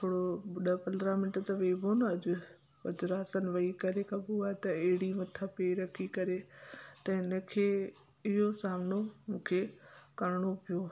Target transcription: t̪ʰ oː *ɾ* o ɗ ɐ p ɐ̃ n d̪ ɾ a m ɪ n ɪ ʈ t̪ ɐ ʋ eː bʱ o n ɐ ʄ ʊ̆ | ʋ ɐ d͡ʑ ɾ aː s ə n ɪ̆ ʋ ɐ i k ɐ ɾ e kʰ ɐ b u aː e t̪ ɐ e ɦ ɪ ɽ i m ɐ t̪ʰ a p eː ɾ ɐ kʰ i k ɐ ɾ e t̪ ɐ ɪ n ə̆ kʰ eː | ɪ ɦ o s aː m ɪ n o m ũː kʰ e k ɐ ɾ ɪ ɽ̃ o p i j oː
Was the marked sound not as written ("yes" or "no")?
yes